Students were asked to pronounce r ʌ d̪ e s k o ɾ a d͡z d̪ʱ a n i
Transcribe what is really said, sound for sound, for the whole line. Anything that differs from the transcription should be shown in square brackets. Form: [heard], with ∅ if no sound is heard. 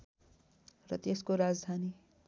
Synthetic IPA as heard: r ʌ [t̪] e s k o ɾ a d͡z d̪ʱ a n i